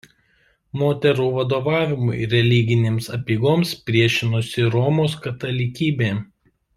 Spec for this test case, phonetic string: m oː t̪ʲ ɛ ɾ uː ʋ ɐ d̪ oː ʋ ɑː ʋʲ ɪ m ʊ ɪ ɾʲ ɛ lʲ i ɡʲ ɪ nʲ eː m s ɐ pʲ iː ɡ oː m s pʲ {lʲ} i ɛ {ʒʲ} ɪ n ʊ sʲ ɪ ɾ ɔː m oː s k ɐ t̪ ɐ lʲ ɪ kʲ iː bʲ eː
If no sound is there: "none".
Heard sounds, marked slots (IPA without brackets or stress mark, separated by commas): ɾʲ, ʃʲ